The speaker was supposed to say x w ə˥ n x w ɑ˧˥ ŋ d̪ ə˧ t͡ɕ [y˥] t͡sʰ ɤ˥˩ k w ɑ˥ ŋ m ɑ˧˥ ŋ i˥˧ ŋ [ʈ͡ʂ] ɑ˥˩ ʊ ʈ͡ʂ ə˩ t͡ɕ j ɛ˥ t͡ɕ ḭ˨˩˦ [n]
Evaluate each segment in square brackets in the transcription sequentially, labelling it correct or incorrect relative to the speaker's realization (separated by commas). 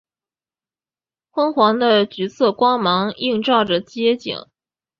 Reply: incorrect, correct, incorrect